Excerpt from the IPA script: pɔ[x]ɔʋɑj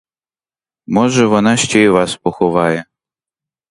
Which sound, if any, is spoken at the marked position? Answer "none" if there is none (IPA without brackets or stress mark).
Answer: x